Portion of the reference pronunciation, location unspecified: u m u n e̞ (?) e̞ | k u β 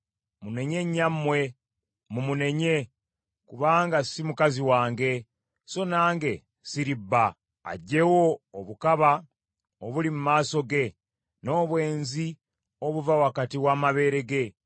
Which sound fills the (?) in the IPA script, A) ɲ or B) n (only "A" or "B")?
A